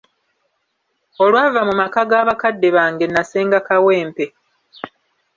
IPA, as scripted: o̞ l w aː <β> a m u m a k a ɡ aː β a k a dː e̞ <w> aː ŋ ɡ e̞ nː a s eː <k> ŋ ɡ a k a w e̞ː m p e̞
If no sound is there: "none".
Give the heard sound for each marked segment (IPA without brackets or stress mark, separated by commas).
v, β, none